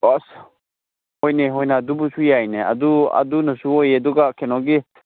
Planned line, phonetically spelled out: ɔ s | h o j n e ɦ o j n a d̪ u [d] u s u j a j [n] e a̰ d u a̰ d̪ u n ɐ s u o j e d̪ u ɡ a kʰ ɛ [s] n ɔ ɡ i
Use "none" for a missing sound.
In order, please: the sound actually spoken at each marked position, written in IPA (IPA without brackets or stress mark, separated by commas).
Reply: b, n, none